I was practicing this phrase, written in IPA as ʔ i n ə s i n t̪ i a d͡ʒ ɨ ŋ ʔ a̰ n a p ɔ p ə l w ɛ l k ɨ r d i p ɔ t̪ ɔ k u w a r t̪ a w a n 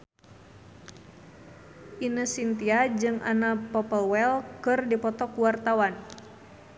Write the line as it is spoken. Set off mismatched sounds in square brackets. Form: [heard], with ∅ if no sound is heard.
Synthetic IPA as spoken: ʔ i n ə s i n t̪ i a d͡ʒ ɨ ŋ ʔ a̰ n a p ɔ p ə l w ɛ l k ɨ r d i p ɔ t̪ ɔ k u w a r t̪ a w a n